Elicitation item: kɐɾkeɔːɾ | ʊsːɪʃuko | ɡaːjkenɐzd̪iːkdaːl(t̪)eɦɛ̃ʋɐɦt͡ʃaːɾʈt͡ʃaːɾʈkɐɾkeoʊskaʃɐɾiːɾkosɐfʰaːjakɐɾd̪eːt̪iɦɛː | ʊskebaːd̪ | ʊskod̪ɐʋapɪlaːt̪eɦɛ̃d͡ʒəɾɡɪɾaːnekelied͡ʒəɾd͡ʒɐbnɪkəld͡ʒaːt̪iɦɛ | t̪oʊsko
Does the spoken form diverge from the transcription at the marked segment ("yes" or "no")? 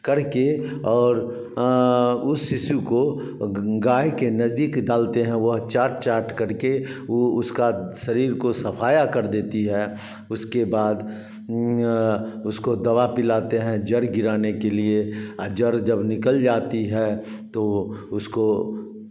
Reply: no